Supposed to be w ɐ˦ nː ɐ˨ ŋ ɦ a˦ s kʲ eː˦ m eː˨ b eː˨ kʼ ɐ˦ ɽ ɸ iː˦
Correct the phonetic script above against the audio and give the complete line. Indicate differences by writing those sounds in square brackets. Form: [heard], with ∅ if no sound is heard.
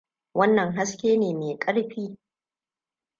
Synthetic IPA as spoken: w ɐ˦ nː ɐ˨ ŋ ɦ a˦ s kʲ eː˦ [n] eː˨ [m] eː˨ kʼ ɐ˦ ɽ ɸ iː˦